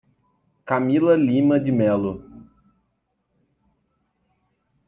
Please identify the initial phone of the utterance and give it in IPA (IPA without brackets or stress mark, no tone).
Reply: k